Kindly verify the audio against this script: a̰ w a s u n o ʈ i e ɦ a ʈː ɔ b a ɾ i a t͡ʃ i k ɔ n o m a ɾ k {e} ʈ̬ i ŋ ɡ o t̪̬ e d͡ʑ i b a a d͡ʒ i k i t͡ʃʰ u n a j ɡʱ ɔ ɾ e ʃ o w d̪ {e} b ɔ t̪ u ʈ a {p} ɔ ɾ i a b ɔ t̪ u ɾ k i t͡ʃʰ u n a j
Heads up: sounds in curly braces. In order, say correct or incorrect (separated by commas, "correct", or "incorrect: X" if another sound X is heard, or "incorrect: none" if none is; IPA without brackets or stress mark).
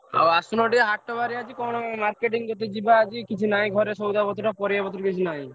correct, incorrect: a, correct